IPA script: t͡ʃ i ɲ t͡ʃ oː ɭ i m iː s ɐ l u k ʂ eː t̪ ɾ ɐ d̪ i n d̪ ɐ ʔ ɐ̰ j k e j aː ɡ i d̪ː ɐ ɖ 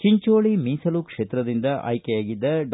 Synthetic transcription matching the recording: t͡ʃ i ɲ t͡ʃ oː ɭ i m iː s ɐ l u k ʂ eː t̪ ɾ ɐ d̪ i n d̪ ɐ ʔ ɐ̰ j k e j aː ɡ i d̪ː ɐ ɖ